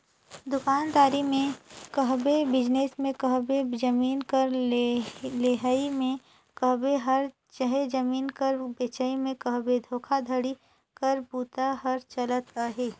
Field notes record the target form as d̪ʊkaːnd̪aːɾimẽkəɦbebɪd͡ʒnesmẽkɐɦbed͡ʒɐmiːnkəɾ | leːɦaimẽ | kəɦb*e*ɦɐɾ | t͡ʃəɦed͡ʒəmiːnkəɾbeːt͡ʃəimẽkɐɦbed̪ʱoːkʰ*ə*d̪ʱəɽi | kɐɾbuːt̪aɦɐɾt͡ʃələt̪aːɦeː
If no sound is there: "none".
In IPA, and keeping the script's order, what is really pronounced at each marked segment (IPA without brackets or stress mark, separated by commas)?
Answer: e, a